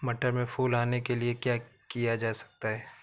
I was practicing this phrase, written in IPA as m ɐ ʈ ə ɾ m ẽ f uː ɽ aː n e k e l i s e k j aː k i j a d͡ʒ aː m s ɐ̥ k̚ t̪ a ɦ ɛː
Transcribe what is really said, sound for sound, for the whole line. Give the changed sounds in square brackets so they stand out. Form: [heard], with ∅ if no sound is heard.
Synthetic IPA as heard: m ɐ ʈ ə ɾ m ẽ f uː [l] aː n e k e l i [∅] e k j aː k i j a d͡ʒ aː [∅] s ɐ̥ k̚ t̪ a ɦ ɛː